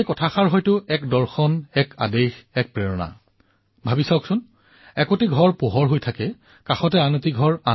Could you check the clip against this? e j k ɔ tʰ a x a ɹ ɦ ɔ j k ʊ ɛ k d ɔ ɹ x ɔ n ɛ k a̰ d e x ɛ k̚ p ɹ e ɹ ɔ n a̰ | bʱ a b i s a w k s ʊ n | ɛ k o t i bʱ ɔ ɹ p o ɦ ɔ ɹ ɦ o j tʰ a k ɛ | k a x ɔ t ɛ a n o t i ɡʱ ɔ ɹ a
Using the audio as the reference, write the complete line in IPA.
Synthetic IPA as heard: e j k ɔ tʰ a x a ɹ ɦ ɔ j t ʊ ɛ k d ɔ ɹ x ɔ n ɛ k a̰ d e x ɛ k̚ p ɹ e ɹ ɔ n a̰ | bʱ a b i s a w k s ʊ n | ɛ k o t i ɡʱ ɔ ɹ p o ɦ ɔ ɹ ɦ o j tʰ a k ɛ | k a x ɔ t ɛ a n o t i ɡʱ ɔ ɹ a